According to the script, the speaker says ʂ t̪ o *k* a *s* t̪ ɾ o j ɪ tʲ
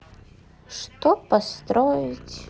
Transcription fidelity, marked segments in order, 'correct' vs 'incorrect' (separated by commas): incorrect, correct